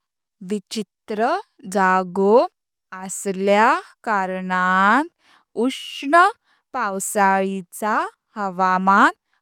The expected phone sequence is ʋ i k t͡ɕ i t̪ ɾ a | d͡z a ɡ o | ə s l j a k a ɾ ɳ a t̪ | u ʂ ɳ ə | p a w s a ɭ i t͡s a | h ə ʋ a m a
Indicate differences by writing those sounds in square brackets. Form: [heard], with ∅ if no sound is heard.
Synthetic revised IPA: ʋ i [∅] t͡ɕ i t̪ ɾ [ə] | d͡z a ɡ o | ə s l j a k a ɾ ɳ a t̪ | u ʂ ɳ ə | p a w s a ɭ i t͡s a | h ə ʋ a m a